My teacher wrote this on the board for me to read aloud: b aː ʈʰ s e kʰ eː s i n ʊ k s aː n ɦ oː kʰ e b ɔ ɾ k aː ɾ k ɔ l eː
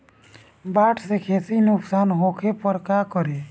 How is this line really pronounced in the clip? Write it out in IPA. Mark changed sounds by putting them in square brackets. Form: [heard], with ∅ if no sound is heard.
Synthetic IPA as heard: b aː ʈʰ s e kʰ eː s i n ʊ k s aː n ɦ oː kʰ e [p] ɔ ɾ k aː [∅] k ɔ [ɾ] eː